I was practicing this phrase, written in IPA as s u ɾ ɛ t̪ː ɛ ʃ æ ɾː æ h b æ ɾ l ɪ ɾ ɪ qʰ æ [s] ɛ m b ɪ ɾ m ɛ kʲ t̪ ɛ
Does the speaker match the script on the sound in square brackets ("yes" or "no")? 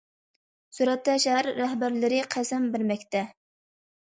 yes